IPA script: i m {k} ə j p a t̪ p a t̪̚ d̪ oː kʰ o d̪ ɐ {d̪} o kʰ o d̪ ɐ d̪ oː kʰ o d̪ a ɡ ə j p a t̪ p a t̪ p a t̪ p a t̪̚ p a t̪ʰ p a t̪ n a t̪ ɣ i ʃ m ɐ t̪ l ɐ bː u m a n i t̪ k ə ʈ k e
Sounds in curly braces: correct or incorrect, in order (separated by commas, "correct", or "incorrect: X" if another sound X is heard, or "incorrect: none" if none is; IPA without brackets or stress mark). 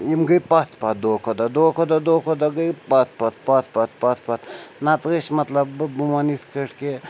incorrect: ɡ, correct